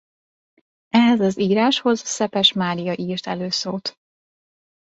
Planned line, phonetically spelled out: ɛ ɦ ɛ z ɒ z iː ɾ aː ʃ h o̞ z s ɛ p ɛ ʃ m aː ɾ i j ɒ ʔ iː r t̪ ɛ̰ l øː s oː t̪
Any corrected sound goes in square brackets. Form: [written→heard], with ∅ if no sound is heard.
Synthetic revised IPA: ɛ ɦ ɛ z ɒ z iː ɾ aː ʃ h o̞ z s ɛ p ɛ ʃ m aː ɾ i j ɒ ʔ iː r t̪ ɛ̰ l øː s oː t̪